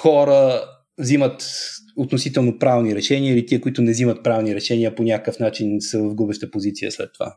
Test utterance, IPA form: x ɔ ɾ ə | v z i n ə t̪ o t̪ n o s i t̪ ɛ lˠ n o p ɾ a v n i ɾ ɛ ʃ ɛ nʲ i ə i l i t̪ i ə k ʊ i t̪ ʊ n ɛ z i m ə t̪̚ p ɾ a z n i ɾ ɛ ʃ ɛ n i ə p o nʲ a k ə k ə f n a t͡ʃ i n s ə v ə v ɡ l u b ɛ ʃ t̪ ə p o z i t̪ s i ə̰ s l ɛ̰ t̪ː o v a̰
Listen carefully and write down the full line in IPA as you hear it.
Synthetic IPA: x ɔ ɾ ə | v z i m ə t̪ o t̪ n o s i t̪ ɛ lˠ n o p ɾ a v n i ɾ ɛ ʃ ɛ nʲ i ə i l i t̪ i ə k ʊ i t̪ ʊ n ɛ z i m ə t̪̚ p ɾ a v n i ɾ ɛ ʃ ɛ n i ə p o nʲ a k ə k ə f n a t͡ʃ i n s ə v ə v ɡ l u b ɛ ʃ t̪ ə p o z i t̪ s i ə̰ s l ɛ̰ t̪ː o v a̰